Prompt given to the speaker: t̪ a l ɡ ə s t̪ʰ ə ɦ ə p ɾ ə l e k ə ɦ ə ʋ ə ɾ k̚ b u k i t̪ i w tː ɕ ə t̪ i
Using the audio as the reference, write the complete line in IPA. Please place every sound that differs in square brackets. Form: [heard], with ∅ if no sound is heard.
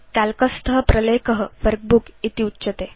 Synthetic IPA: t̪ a l [k] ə s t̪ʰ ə ɦ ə p ɾ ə l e k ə ɦ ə ʋ ə ɾ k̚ b u k i t̪ i [u] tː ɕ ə t̪ [e]